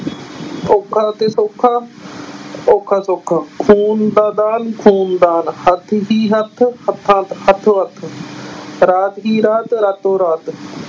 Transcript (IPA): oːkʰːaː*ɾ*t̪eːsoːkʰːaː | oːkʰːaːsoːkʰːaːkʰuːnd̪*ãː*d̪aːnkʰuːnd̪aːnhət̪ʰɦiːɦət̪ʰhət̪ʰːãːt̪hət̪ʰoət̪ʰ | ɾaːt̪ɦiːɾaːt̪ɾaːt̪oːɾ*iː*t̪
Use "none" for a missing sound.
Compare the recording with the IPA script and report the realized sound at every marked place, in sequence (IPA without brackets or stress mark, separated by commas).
none, aː, aː